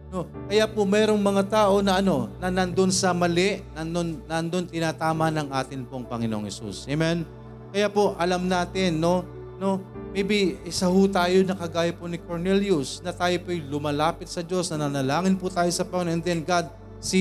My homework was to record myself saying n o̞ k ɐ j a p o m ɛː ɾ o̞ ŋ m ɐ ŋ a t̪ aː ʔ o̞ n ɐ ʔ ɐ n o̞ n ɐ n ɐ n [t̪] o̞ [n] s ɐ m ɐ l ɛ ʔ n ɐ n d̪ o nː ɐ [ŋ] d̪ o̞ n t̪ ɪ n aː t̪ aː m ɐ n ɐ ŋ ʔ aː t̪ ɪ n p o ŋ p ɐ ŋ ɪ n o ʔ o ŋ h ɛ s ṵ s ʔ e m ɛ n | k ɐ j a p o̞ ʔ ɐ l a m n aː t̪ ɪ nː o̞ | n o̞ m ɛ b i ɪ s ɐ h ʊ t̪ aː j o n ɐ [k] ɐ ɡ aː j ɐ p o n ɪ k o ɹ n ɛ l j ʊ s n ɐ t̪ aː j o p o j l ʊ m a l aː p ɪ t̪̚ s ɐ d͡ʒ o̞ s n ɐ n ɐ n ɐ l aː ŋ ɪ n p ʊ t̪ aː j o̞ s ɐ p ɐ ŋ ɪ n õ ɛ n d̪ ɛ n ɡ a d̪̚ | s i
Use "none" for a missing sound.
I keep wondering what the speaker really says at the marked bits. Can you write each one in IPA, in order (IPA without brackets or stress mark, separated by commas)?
d̪, n, n, k